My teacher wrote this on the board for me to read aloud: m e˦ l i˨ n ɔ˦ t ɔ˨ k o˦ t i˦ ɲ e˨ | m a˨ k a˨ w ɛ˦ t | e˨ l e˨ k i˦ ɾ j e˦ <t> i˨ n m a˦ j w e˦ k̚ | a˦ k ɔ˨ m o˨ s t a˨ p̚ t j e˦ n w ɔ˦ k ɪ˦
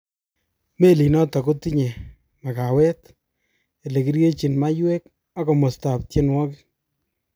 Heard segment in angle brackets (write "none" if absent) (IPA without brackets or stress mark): t͡ʃ